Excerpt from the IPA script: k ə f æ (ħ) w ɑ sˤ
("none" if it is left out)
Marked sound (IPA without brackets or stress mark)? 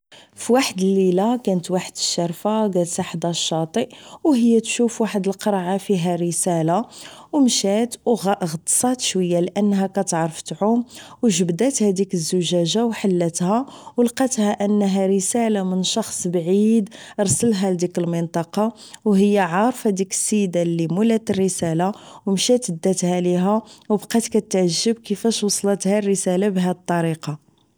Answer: ʃ